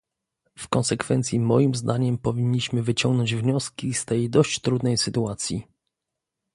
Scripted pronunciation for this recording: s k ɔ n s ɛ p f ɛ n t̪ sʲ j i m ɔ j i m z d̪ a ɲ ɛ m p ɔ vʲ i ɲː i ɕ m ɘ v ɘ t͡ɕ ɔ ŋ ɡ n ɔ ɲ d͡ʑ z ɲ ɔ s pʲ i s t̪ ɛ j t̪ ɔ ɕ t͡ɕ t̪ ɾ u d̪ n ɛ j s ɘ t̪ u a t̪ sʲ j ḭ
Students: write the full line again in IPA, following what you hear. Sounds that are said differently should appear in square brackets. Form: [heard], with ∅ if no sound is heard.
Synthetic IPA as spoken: [f] k ɔ n s ɛ [k] f ɛ n t̪ sʲ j i m ɔ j i m z d̪ a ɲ ɛ m p ɔ vʲ i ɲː i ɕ m ɘ v ɘ t͡ɕ ɔ ŋ ɡ n ɔ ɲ d͡ʑ [v] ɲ ɔ s [kʲ] i s t̪ ɛ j [d̪] ɔ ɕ t͡ɕ t̪ ɾ u d̪ n ɛ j s ɘ t̪ u a t̪ sʲ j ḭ